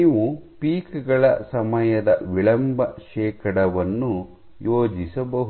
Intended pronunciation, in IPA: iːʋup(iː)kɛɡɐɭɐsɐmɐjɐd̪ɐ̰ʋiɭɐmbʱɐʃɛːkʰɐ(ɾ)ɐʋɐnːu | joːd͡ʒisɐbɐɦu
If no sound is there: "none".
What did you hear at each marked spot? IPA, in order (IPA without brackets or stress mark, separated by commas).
iː, ɽ